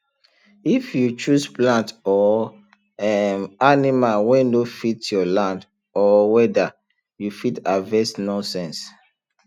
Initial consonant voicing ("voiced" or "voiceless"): voiceless